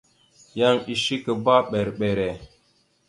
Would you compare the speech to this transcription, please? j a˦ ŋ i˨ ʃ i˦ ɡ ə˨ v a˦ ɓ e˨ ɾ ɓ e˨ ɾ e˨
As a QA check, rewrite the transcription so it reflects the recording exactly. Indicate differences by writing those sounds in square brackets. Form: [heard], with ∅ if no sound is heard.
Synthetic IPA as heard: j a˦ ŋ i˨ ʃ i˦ [k] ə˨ [b] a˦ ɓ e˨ ɾ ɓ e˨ ɾ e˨